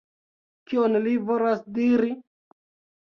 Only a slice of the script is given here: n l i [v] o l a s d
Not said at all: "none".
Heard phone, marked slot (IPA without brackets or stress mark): v